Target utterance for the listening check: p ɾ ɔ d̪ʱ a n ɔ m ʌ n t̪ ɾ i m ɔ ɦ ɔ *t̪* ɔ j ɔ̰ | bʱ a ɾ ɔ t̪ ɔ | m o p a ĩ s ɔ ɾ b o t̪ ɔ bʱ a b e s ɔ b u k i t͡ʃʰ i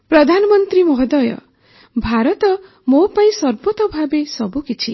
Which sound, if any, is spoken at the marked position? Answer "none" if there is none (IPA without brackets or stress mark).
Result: d̪